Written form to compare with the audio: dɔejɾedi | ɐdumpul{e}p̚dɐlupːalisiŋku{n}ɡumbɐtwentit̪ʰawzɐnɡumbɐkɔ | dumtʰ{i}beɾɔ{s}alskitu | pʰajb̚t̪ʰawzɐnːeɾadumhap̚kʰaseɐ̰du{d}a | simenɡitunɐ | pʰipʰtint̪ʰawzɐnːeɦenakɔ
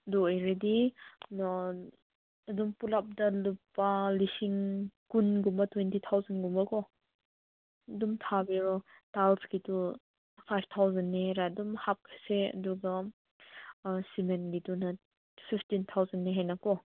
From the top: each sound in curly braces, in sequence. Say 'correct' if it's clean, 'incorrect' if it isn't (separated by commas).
incorrect, correct, incorrect, incorrect, incorrect